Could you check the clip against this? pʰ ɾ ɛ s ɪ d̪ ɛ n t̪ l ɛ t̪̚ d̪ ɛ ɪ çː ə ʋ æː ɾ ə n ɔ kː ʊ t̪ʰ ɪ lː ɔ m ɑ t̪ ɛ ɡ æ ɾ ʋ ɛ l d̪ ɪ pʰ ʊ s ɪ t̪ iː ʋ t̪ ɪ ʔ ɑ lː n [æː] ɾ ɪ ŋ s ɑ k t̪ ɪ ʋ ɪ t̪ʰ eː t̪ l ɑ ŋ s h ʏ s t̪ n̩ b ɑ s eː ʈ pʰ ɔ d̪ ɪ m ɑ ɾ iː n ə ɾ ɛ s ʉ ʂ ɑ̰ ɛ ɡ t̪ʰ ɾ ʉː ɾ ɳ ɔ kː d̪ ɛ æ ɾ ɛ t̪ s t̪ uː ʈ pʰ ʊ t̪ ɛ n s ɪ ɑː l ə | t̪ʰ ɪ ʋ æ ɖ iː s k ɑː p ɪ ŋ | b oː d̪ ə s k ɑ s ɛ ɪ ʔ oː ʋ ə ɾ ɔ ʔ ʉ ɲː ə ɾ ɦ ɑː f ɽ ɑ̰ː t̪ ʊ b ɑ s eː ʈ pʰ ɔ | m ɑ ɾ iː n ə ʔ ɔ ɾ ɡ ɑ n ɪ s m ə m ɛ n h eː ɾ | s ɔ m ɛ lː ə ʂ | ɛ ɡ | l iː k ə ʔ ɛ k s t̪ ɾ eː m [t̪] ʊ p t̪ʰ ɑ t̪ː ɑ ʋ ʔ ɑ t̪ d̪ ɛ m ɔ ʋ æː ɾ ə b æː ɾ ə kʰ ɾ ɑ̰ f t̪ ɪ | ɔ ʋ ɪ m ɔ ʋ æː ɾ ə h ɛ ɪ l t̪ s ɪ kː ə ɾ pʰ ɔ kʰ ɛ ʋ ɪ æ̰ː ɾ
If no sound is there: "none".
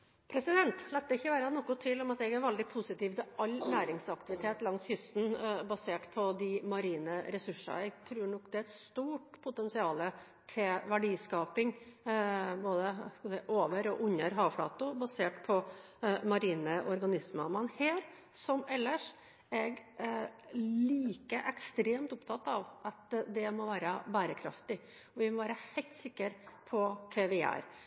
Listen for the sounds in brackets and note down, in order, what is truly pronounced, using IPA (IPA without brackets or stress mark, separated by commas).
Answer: æː, t̪